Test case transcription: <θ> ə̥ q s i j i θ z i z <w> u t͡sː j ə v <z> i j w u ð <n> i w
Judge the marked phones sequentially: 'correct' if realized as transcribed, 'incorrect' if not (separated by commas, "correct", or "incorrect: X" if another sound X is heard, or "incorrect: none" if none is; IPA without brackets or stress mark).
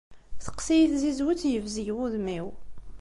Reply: correct, correct, correct, incorrect: m